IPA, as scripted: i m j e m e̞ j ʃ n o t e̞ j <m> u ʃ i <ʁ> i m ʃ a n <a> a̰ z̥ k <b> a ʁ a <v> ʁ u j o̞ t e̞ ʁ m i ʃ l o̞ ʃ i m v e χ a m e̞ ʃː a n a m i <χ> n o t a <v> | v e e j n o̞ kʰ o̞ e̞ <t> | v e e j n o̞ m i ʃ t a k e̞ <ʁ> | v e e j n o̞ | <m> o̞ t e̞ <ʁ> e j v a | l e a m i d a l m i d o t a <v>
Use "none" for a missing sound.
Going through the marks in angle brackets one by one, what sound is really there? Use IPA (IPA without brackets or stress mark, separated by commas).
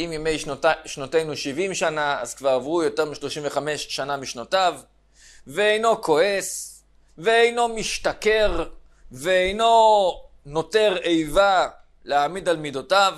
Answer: n, v, a, v, v, ʃ, v, s, ʁ, n, ʁ, v